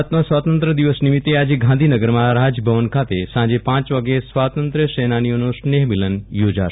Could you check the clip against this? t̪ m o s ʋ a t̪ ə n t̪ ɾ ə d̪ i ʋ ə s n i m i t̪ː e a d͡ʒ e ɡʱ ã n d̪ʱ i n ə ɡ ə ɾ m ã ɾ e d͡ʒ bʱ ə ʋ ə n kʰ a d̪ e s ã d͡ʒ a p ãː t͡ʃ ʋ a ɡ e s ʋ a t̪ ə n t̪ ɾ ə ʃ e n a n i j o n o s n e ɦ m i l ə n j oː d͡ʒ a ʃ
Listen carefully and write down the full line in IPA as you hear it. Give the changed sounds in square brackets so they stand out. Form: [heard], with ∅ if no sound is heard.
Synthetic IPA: t̪ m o s ʋ a t̪ ə n t̪ ɾ ə d̪ i ʋ ə s n i m i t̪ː e a d͡ʒ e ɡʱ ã n d̪ʱ i n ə ɡ ə ɾ m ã ɾ [a] d͡ʒ bʱ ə ʋ ə n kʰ a [t̪] e s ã d͡ʒ [e] p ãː t͡ʃ ʋ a ɡ e s ʋ a t̪ ə n t̪ ɾ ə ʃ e n a n i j o n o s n e ɦ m i l ə n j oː d͡ʒ a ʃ